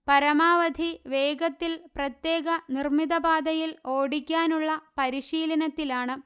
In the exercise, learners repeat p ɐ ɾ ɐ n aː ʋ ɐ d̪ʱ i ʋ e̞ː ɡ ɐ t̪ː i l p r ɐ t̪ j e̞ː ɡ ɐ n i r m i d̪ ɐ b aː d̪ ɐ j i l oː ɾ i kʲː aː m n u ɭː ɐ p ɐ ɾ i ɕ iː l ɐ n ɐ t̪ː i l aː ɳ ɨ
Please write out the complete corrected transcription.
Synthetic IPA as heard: p ɐ ɾ ɐ m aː ʋ ɐ d̪ʱ i ʋ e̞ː ɡ ɐ t̪ː i l p r ɐ t̪ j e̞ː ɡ ɐ n i r m i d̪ ɐ b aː d̪ ɐ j i l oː ɽ i kʲː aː n u ɭː ɐ p ɐ ɾ i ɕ iː l ɐ n ɐ t̪ː i l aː ɳ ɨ